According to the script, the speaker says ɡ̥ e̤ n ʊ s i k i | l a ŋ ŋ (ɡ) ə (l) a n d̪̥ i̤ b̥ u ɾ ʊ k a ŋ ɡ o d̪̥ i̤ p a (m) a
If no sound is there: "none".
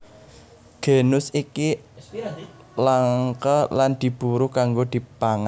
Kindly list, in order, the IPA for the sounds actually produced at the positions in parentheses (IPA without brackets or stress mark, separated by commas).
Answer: k, l, ŋ